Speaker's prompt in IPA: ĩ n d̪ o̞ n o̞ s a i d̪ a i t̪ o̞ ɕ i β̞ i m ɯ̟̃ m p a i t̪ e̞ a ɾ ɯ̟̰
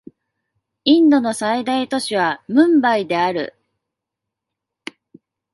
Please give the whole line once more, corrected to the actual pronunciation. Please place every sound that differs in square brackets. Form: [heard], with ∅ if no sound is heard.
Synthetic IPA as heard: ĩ n d̪ o̞ n o̞ s a i d̪ a i t̪ o̞ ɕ i β̞ [a] m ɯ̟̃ m [b] a i [d̪] e̞ a ɾ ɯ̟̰